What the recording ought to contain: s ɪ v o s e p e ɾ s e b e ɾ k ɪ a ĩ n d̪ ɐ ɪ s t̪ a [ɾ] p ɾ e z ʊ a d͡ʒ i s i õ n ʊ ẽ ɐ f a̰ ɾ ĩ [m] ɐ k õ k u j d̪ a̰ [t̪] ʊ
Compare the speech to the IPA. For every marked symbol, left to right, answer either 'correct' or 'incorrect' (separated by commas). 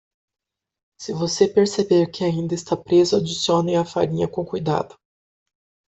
incorrect, incorrect, incorrect